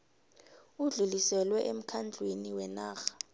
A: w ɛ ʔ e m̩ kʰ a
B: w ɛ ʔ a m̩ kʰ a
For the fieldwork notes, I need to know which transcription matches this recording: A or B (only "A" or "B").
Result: A